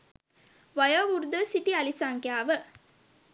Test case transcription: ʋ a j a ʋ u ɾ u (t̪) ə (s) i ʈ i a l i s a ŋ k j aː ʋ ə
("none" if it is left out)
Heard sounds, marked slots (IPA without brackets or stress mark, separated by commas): d̪, s